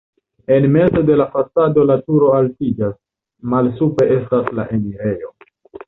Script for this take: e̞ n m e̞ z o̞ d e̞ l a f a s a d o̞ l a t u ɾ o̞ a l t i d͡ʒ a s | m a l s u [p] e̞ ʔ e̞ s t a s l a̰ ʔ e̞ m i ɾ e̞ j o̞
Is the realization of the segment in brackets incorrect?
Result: no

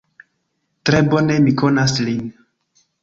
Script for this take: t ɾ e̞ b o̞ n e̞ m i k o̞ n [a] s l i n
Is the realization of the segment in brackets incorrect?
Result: no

